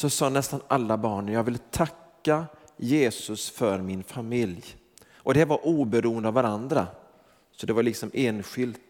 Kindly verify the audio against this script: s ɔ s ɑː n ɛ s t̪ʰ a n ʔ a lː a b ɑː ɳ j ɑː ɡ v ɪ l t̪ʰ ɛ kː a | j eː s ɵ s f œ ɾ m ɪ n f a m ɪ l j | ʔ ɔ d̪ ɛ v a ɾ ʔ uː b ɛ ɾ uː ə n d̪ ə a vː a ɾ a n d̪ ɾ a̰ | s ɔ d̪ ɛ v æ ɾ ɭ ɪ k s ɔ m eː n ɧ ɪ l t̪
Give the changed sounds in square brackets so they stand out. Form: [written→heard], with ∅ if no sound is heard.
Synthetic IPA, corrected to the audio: s ɔ s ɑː n ɛ s [t̪ʰ→t̪] a n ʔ a lː a b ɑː ɳ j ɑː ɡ v ɪ l t̪ʰ [ɛ→a] kː a | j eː s ɵ s f œ ɾ m ɪ n f a m ɪ l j | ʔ ɔ d̪ ɛ v a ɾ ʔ uː b ɛ ɾ uː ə n d̪ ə a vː a ɾ a n d̪ ɾ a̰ | s ɔ d̪ ɛ v [æ→a] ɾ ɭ ɪ k s ɔ m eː n ɧ ɪ l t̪